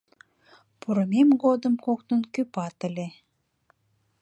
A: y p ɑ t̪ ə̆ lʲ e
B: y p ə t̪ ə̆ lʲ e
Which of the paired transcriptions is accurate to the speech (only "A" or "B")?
A